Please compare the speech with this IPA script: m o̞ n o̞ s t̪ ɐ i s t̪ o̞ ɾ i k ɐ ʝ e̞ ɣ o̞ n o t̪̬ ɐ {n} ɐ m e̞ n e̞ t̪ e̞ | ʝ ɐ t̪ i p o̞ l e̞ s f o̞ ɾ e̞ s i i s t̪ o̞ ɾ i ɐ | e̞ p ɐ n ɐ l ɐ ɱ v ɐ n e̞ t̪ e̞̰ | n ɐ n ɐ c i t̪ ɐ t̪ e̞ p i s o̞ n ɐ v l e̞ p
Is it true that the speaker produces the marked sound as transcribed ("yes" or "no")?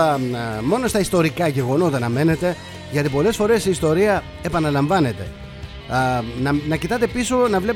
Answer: yes